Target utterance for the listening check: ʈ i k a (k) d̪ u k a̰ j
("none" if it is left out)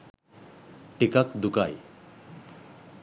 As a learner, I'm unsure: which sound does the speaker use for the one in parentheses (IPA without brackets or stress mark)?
k